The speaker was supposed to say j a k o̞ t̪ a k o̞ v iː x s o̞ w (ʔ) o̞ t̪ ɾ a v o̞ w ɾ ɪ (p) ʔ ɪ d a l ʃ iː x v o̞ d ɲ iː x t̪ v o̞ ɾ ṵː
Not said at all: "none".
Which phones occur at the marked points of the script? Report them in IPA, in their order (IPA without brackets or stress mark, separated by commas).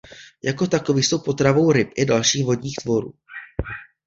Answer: p, p